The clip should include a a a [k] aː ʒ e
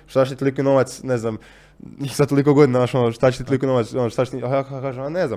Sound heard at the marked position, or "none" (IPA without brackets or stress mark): k